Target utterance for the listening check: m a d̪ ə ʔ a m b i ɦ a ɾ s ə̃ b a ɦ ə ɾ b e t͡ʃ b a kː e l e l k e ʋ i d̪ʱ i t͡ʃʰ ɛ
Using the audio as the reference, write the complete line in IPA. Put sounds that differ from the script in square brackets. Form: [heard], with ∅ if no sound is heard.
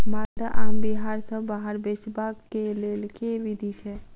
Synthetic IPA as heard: m a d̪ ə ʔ a m b i ɦ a ɾ s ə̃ b a ɦ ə ɾ b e t͡ʃ b a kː e l e l k e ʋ i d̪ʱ i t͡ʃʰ ɛ